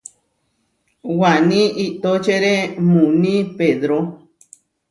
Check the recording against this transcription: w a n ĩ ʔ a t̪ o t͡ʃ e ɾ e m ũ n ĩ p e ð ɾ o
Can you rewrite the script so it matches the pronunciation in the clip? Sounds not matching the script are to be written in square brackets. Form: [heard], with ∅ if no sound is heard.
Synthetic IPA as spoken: w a n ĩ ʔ [i] t̪ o t͡ʃ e ɾ e m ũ n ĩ p e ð ɾ o